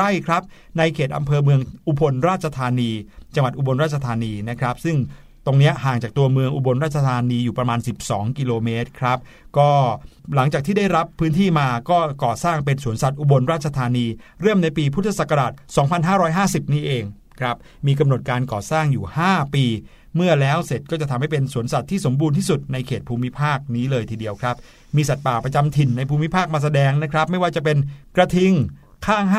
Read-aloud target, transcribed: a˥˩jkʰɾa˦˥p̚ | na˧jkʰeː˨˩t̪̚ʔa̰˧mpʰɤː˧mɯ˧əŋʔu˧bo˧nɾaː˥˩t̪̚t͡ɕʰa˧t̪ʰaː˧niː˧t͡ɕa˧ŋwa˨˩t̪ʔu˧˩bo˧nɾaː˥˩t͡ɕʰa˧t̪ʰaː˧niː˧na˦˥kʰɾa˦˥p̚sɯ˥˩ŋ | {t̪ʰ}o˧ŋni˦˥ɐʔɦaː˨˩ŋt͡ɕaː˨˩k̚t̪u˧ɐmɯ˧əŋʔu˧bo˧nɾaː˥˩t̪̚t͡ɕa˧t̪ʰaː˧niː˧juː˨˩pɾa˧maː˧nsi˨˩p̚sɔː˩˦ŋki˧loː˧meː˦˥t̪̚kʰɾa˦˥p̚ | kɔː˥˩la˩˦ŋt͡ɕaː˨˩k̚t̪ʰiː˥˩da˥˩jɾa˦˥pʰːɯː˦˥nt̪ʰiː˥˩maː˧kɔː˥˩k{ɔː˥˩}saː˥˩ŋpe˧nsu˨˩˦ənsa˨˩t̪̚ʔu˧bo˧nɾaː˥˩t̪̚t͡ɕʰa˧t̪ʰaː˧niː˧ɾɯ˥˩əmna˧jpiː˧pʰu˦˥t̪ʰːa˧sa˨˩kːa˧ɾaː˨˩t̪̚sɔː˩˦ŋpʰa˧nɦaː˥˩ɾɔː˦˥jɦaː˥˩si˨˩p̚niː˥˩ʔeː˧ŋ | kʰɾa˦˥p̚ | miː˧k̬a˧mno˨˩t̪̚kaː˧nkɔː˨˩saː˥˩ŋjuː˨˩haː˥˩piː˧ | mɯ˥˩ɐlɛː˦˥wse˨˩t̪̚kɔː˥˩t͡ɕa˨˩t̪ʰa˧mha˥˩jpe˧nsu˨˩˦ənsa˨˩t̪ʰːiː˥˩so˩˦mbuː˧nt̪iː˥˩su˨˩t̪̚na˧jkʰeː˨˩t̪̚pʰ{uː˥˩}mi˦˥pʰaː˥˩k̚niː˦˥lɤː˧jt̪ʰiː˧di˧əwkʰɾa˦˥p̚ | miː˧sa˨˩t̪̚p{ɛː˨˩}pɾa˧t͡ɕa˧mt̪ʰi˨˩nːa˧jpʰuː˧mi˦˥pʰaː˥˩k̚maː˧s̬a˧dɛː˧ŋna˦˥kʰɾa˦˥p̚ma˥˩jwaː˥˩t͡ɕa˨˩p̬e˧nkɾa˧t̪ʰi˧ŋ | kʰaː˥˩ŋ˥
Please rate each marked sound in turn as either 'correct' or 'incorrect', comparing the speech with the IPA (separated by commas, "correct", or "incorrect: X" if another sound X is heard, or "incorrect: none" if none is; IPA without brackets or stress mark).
incorrect: t̪, incorrect: ɔː˨˩, incorrect: uː˧, incorrect: aː˨˩